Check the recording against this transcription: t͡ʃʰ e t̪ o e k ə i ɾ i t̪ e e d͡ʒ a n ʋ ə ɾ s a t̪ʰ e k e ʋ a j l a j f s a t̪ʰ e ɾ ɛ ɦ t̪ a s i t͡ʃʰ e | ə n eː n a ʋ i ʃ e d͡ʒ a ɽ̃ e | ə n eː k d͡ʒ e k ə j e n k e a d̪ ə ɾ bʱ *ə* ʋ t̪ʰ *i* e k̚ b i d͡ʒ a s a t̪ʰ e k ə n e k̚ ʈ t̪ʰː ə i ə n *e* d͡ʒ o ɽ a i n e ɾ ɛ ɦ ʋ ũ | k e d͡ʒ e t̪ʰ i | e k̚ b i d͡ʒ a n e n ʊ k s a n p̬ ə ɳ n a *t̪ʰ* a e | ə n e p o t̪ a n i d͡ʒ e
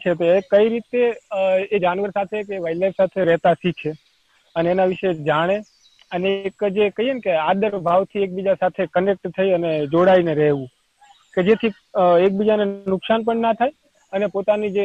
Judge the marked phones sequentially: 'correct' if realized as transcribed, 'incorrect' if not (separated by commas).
incorrect, correct, correct, correct